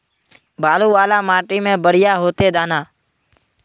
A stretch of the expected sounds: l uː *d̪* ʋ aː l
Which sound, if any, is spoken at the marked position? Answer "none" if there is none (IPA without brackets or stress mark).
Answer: none